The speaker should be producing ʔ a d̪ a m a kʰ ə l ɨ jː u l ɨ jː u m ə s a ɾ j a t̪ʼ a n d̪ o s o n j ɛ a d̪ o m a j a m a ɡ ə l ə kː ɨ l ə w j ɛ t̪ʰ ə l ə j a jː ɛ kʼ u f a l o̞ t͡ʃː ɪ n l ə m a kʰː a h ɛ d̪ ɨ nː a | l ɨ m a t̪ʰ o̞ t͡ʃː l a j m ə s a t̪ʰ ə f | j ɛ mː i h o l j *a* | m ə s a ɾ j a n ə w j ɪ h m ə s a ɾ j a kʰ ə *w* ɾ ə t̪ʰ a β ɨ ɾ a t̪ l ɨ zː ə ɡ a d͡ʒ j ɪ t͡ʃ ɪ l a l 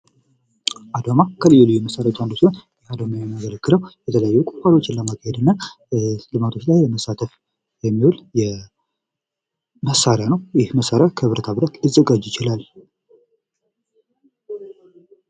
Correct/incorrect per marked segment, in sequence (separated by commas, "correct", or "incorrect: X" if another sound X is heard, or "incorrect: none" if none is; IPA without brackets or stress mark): incorrect: ɛ, incorrect: β